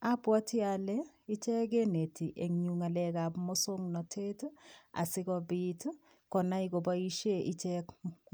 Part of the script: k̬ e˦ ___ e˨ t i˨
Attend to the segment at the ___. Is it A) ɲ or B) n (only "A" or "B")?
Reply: B